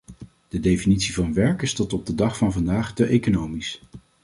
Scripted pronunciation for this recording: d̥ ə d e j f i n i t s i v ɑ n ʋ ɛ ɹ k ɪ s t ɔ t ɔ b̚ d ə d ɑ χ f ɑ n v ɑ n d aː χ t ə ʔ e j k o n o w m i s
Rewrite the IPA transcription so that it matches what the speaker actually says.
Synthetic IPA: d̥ ə d e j f i n i t s i v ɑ n ʋ ɛ ɹ k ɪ s t ɔ t ɔ b̚ d ə d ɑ χ f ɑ n v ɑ n d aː χ t ə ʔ e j k o n o w m i s